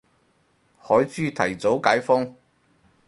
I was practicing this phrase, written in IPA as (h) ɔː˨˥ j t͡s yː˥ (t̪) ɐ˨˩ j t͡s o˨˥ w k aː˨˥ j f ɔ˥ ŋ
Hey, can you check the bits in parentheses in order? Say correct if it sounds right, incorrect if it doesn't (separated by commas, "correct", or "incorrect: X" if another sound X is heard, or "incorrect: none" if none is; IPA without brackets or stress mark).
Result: correct, incorrect: t̪ʰ